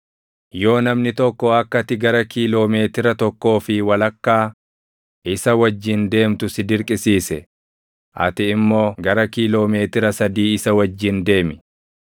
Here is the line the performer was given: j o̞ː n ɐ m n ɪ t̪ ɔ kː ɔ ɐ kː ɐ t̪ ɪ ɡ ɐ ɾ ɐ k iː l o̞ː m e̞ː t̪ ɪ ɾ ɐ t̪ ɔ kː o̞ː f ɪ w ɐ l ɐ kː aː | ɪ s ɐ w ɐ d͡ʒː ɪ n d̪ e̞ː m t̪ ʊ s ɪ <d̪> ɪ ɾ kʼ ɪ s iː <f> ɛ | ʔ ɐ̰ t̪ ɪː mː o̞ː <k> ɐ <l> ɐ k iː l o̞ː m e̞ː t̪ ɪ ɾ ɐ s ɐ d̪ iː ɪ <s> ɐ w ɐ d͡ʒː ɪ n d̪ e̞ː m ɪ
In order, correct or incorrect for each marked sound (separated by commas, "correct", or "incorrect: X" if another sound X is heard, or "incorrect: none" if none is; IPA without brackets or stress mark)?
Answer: correct, incorrect: s, incorrect: ɡ, incorrect: ɾ, correct